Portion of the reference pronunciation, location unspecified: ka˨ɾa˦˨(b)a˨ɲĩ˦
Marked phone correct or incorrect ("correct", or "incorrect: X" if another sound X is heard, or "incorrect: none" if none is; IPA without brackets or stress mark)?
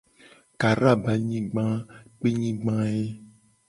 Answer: correct